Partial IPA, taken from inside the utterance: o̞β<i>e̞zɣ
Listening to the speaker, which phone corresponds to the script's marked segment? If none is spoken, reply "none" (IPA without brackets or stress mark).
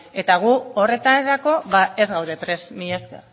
a